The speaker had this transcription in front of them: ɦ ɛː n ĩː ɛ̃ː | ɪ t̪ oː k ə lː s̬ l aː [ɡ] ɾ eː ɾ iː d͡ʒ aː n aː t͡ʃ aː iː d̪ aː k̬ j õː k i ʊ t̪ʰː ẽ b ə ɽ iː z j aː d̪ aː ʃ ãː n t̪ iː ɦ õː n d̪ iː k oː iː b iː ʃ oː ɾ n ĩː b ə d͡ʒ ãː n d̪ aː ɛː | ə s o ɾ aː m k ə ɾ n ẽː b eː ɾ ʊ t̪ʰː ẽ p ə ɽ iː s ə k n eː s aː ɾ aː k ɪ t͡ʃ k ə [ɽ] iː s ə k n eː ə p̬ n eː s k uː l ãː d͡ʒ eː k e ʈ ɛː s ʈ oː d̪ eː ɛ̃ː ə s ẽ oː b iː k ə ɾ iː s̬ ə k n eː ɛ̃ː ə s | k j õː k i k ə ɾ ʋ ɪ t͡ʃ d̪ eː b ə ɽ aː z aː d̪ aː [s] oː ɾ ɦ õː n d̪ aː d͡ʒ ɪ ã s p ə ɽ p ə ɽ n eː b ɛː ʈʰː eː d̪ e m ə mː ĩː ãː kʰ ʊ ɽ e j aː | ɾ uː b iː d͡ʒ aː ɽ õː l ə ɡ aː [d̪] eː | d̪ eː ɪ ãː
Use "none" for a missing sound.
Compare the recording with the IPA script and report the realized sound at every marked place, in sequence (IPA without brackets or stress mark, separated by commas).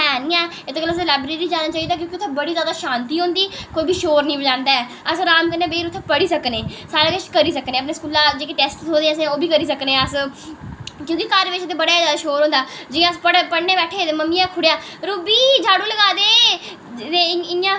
b, ɾ, ʃ, d̪